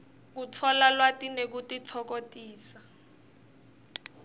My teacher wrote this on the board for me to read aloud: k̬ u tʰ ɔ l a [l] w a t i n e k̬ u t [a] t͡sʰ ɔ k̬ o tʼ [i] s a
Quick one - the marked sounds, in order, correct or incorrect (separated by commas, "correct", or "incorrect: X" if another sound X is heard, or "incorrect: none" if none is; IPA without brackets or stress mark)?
correct, incorrect: i, incorrect: iː